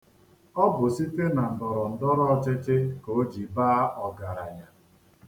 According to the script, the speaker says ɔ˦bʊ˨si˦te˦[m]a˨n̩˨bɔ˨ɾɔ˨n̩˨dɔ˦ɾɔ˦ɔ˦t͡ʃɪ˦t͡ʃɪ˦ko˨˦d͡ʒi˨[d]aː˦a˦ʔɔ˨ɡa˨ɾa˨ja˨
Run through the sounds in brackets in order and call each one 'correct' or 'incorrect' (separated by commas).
incorrect, incorrect